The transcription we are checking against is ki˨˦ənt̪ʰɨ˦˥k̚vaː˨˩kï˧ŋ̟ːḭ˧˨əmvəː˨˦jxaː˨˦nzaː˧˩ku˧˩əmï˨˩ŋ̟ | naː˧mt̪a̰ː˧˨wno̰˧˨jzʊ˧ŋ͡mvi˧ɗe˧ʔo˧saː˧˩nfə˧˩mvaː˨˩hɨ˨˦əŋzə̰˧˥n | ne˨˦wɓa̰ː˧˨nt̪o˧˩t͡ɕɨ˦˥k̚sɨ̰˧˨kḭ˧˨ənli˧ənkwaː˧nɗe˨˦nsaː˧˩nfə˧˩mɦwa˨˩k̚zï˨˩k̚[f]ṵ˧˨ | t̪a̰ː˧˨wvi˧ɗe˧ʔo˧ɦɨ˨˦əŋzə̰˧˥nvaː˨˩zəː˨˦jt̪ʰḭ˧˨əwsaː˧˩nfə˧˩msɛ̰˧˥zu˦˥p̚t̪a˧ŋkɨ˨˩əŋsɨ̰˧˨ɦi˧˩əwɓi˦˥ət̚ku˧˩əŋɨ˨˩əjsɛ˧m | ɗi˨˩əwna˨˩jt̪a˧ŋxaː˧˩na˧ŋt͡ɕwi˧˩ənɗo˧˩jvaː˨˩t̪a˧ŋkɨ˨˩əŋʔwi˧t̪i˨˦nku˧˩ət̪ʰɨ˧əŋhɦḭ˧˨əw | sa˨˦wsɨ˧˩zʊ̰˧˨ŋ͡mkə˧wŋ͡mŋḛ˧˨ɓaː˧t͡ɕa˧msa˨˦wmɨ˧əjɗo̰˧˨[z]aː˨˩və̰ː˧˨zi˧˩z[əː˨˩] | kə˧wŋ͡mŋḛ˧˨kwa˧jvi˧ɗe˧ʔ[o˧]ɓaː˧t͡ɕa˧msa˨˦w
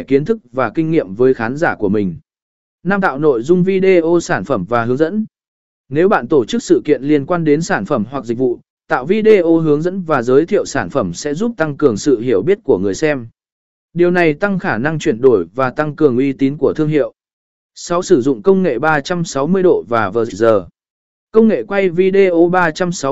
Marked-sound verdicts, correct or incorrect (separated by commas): incorrect, incorrect, correct, correct